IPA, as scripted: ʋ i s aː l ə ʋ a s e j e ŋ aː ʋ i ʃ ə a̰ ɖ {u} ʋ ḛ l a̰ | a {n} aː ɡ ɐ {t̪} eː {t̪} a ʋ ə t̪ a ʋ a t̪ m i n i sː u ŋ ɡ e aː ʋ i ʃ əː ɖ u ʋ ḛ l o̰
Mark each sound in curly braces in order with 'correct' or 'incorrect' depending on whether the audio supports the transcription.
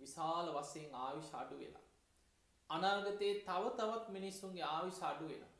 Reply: correct, correct, correct, correct

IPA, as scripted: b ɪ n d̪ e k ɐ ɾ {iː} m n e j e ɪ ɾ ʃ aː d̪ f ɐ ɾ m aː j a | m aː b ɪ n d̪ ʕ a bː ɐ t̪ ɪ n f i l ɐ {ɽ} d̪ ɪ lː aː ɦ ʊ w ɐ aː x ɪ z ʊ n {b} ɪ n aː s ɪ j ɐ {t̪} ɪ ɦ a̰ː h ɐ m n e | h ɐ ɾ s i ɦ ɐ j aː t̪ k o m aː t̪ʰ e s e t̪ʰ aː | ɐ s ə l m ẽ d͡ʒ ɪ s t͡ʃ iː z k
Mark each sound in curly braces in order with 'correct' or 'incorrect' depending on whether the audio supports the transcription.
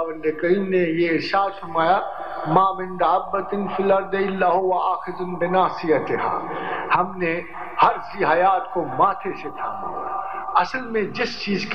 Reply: correct, incorrect, correct, correct

